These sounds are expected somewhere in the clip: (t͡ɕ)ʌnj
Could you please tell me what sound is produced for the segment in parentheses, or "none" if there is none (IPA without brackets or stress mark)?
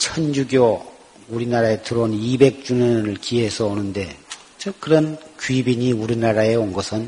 t͡ɕʰ